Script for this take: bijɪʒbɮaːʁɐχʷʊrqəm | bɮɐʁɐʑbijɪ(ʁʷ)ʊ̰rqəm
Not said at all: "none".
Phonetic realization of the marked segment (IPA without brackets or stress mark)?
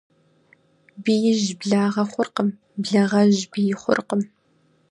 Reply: χʷ